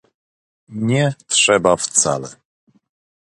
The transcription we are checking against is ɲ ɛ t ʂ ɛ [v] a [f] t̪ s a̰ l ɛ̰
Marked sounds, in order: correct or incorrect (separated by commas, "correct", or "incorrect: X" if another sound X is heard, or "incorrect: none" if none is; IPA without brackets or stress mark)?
incorrect: b, correct